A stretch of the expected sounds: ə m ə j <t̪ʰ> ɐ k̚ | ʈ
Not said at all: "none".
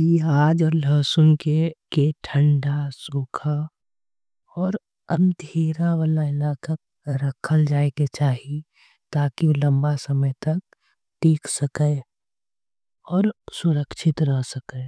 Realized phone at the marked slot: t̪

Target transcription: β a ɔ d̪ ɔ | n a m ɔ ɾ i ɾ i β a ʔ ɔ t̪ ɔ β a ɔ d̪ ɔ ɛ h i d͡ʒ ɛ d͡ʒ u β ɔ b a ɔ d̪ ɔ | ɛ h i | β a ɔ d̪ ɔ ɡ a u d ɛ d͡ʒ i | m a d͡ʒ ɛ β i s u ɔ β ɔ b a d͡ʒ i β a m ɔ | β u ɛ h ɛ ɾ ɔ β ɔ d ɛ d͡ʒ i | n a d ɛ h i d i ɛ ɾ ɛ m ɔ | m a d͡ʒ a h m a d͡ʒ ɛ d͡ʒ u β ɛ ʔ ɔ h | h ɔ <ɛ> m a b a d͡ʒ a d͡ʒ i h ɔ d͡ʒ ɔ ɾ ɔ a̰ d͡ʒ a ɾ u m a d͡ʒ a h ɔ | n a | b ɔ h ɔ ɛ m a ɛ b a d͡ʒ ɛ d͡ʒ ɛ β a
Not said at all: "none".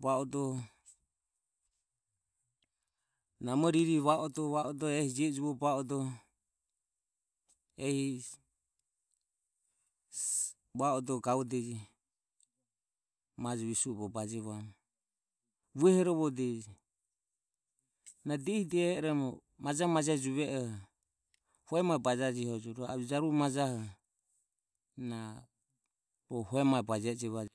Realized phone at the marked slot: ɛ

